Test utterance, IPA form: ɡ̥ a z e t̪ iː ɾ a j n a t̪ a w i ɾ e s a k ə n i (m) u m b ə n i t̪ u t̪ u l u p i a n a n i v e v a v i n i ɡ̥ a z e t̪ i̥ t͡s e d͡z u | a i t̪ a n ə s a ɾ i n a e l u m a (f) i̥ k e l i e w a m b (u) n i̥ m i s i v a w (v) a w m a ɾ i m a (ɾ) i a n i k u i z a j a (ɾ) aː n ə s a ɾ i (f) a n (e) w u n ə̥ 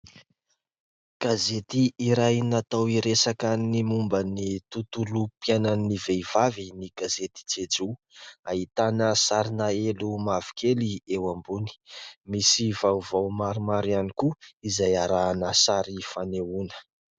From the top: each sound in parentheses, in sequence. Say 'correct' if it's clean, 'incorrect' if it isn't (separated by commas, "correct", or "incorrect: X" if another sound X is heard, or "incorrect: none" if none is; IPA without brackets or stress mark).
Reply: correct, incorrect: v, correct, correct, correct, correct, correct, correct